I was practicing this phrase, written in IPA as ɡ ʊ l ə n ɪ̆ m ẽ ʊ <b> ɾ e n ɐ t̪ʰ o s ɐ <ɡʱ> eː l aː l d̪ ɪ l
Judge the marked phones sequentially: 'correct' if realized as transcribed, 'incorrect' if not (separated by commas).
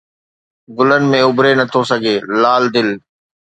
correct, correct